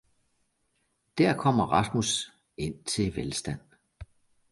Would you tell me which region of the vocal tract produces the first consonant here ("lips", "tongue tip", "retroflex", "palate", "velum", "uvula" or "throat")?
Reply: tongue tip